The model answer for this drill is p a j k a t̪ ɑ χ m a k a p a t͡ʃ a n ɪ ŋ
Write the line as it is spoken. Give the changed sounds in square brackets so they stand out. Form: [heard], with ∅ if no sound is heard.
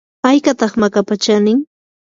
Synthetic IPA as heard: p a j k a t̪ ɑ χ m a k a p a t͡ʃ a n ɪ ŋ